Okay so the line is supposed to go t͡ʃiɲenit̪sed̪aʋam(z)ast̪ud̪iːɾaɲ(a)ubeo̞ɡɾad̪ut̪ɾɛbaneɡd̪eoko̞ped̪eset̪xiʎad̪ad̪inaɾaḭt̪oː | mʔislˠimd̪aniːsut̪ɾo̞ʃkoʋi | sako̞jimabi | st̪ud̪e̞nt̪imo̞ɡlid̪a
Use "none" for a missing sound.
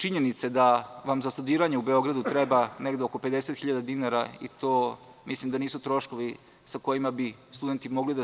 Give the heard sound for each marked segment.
z, e

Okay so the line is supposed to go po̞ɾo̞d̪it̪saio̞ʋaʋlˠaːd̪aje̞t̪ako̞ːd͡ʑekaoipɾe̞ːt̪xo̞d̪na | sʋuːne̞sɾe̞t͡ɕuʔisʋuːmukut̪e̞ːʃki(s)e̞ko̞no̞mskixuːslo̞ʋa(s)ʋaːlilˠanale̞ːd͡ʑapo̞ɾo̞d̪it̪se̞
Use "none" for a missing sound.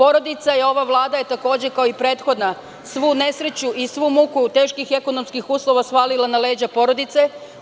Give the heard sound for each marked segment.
x, s

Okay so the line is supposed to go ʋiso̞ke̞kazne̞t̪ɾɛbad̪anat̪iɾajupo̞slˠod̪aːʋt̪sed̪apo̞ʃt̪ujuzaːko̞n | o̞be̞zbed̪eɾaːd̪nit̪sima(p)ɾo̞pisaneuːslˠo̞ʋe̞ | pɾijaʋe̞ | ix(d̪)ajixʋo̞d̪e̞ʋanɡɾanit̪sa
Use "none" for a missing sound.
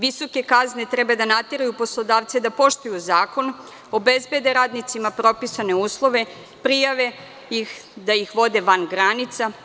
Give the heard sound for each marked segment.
p, d̪

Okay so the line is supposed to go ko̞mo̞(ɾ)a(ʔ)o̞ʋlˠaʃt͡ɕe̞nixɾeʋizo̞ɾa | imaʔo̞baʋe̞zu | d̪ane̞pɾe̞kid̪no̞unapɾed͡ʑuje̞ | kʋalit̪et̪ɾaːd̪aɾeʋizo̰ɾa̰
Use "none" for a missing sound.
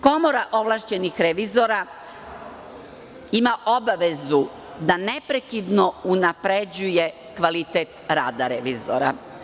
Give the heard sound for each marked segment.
ɾ, ʔ

